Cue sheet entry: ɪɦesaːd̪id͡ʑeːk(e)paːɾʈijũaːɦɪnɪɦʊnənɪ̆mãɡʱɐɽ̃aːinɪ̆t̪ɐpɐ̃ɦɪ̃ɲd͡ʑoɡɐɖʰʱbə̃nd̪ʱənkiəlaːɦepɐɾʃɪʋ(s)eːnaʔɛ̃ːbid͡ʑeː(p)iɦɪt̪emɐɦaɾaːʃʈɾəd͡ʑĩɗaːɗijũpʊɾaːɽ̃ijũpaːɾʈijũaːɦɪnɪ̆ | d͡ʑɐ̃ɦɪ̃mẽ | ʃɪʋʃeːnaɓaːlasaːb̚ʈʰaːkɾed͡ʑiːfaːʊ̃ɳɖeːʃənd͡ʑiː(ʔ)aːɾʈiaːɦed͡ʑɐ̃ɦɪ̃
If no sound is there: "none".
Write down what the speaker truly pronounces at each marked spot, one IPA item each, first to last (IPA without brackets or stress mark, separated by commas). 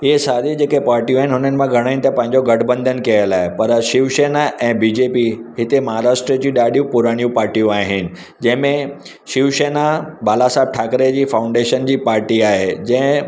e, ʃ, p, p